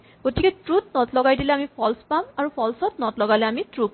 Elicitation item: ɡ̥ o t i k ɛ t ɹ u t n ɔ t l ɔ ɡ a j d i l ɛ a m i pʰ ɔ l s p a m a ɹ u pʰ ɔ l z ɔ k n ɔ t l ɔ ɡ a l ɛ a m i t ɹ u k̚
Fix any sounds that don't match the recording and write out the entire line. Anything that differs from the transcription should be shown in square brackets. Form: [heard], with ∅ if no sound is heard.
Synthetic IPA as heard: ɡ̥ o t i k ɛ t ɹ u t n ɔ t l ɔ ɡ a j d i l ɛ a m i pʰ ɔ l s p a m a ɹ u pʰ ɔ l [s] ɔ [t] n ɔ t l ɔ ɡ a l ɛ a m i t ɹ u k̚